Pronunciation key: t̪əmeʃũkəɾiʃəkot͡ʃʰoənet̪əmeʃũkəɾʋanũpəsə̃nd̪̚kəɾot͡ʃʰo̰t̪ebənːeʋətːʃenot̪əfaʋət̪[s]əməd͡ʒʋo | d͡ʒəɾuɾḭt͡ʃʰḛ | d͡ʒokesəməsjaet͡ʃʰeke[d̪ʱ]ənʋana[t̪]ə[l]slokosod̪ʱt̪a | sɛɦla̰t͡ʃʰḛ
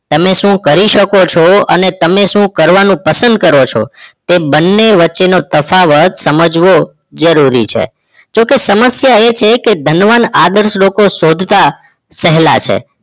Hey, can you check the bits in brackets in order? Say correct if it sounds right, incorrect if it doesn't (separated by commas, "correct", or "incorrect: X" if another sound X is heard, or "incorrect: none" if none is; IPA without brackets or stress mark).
correct, correct, incorrect: d̪, incorrect: ɾ